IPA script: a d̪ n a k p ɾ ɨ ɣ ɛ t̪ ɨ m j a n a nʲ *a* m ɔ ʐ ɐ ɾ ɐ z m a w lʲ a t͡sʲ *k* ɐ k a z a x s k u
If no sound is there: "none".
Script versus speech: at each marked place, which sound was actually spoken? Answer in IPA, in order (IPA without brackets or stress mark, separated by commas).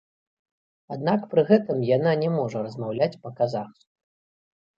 ɛ, p